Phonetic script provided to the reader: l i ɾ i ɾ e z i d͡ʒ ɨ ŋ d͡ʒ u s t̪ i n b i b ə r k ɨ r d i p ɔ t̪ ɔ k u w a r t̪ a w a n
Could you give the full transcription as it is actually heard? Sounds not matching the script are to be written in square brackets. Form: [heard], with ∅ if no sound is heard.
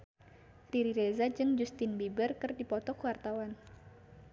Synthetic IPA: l i ɾ i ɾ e z [a] d͡ʒ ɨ ŋ d͡ʒ u s t̪ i n b i b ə r k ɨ r d i p ɔ t̪ ɔ k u w a r t̪ a w a n